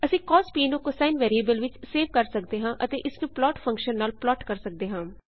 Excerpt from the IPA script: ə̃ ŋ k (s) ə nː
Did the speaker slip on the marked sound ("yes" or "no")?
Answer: yes